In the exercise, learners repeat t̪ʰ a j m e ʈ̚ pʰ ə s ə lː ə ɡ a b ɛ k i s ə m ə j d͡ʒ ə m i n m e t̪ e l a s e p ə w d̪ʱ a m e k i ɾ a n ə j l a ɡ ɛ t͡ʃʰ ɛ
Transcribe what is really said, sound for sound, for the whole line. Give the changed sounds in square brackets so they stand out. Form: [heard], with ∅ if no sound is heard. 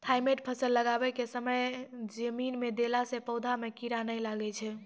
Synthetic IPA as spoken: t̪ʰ a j m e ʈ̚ pʰ ə s ə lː ə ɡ a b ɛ k [e] s ə m ə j d͡ʒ ə m i n m e [d̪] e l a s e p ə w d̪ʱ a m e k i ɾ a n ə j l a ɡ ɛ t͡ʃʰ ɛ

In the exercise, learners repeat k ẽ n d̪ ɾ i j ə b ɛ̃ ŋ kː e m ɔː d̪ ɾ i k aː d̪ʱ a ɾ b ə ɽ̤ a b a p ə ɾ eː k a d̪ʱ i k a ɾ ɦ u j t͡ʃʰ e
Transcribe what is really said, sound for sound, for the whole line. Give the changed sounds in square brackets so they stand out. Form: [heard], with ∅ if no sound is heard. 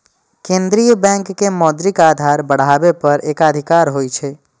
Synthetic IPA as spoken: k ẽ n d̪ ɾ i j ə b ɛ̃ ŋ kː e m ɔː d̪ ɾ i k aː d̪ʱ a ɾ b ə ɽ̤ a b [e] p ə ɾ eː k a d̪ʱ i k a ɾ ɦ [o] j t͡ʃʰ e

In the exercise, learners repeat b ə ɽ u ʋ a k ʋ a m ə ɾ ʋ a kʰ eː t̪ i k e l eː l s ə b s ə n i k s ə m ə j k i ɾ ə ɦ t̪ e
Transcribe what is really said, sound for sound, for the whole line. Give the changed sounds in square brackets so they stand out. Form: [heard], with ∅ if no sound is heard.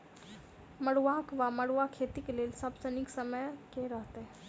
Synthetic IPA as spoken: [m] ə ɽ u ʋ a k ʋ a m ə [ɽ] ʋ a kʰ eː t̪ i k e l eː l s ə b s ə n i k s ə m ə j k [e] ɾ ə ɦ t̪ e

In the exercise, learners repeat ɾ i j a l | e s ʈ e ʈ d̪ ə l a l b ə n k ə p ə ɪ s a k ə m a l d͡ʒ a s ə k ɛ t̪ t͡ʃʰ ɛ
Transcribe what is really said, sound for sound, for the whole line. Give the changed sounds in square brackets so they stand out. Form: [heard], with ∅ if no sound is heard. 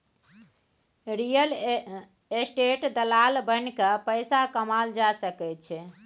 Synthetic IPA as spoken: ɾ i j [ə] l | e s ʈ e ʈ d̪ ə l a l b ə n k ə p ə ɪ s a k ə m a l d͡ʒ a s ə k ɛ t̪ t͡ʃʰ ɛ

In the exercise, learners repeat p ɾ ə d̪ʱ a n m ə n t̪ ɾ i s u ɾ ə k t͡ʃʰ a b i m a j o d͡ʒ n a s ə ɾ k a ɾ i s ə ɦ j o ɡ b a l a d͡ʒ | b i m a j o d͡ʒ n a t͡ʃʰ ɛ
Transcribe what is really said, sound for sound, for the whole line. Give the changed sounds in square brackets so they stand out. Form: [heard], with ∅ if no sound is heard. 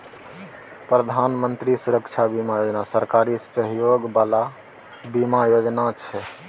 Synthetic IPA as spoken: p ɾ ə d̪ʱ a n m ə n t̪ ɾ i s u ɾ ə k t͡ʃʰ a b i m a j o d͡ʒ n a s ə ɾ k a ɾ i s ə ɦ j o ɡ b a l a [∅] | b i m a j o d͡ʒ n a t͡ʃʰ ɛ

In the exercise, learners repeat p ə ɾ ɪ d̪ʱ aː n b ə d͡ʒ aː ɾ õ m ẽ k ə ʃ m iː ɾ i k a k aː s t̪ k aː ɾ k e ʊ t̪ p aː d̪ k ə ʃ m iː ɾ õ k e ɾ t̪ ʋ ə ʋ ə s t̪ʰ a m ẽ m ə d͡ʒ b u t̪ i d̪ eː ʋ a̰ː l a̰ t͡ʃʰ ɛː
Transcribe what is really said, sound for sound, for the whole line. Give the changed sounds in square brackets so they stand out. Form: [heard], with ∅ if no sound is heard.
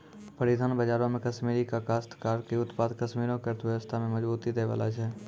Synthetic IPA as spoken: p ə ɾ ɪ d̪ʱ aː n b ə d͡ʒ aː ɾ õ m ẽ k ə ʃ m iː ɾ i k a k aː s t̪ k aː ɾ k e ʊ t̪ p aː d̪ k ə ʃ m iː ɾ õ k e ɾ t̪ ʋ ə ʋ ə s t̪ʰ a m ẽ m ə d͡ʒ b [uː] t̪ i d̪ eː ʋ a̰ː l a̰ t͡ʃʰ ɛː

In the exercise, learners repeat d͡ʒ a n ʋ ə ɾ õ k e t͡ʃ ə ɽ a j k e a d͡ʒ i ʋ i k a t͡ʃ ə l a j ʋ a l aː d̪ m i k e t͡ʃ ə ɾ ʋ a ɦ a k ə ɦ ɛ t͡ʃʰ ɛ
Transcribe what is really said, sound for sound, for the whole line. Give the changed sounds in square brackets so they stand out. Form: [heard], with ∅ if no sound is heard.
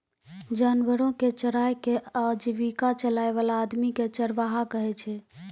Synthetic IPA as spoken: d͡ʒ a n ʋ ə ɾ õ k e t͡ʃ ə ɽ a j k e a d͡ʒ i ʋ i k a t͡ʃ ə l a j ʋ a l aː d̪ m i k e t͡ʃ ə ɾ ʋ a ɦ a k ə ɦ ɛ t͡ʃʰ ɛ

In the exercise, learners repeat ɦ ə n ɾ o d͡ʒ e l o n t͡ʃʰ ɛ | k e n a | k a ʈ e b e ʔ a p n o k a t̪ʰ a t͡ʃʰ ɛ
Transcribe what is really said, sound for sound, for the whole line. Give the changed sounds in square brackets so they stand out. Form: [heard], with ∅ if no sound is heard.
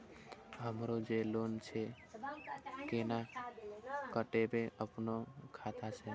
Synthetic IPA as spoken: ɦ ə [m] ɾ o d͡ʒ e l o n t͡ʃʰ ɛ | k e n a | k [ə] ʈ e b e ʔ [ə] p n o [kʰ] a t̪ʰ a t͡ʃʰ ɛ

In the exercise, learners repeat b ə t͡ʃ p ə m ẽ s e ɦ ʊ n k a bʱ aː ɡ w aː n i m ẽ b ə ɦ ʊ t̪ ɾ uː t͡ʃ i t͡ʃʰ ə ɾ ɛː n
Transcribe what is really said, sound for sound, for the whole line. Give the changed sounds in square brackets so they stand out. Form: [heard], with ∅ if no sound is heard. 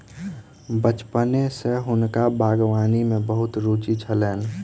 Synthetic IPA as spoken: b ə t͡ʃ p ə [n] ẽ s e ɦ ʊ n k a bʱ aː ɡ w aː n i m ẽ b ə ɦ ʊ t̪ ɾ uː t͡ʃ i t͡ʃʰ ə [l] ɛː n

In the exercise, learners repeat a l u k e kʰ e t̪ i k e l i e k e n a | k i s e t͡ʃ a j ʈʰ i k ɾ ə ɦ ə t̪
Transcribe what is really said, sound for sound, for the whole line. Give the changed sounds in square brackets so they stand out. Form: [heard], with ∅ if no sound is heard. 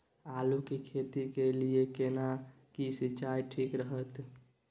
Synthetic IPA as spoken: a l u k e kʰ e t̪ i k e l i e k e n a | k i s [i] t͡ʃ a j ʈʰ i k ɾ ə ɦ ə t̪

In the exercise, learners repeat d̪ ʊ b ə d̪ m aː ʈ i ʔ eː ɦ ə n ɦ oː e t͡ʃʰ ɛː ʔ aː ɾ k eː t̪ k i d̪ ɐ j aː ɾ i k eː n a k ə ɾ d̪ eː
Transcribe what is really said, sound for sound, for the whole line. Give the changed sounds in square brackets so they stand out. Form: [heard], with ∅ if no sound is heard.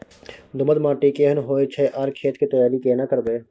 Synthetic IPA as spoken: d̪ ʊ [m] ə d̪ m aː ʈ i [k] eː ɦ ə n ɦ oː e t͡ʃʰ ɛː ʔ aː ɾ [kʰ] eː t̪ k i [t̪] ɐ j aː ɾ i k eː n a k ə ɾ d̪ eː

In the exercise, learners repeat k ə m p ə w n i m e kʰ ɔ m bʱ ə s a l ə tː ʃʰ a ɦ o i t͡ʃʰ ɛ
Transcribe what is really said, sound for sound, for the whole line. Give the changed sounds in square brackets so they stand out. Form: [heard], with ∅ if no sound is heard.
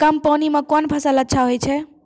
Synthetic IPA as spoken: k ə m p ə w n i m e [k] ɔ [n] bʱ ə s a l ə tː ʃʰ a ɦ o [j] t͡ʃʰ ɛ

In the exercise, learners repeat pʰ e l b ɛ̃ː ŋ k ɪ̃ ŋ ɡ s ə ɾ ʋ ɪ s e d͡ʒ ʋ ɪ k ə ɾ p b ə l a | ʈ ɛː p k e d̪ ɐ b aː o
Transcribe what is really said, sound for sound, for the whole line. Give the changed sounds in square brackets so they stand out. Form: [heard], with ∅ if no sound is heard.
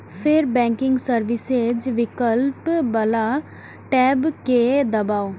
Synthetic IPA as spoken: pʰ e [ɾ] b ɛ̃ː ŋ k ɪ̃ ŋ ɡ s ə ɾ ʋ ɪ s e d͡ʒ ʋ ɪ k ə [l] p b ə l a | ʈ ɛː [b] k e d̪ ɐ b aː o

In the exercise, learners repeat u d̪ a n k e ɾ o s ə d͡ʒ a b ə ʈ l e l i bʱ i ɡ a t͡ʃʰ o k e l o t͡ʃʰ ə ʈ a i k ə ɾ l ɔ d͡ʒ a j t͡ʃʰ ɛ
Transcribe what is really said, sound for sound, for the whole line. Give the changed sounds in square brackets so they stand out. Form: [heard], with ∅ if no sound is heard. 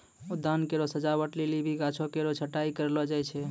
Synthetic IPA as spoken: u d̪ a n k e ɾ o s ə d͡ʒ a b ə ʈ l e l i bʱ i ɡ a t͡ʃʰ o k e [ɾ] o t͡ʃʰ ə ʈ a i k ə ɾ l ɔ d͡ʒ a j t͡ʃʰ ɛ

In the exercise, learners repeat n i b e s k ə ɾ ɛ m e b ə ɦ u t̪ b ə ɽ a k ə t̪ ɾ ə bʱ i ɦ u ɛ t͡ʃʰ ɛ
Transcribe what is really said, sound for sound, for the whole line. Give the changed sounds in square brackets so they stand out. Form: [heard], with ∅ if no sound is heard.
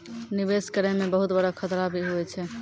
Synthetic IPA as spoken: n i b e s k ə ɾ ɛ m e b ə ɦ u t̪ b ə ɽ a [kʰ] ə t̪ ɾ [a] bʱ i ɦ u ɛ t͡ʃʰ ɛ

